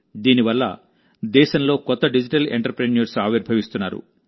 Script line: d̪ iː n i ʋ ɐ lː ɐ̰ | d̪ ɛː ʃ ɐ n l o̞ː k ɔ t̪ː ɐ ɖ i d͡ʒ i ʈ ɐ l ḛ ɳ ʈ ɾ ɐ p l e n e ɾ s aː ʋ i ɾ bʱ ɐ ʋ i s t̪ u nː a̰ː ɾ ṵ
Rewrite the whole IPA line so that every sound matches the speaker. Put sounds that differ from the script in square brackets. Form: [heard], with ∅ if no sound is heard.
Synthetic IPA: d̪ iː n i ʋ ɐ lː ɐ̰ | d̪ ɛː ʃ ɐ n l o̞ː k ɔ t̪ː ɐ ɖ i d͡ʒ i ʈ ɐ l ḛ ɳ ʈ ɾ ɐ p [ɾ] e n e ɾ s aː ʋ i ɾ bʱ ɐ ʋ i s t̪ u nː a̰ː ɾ ṵ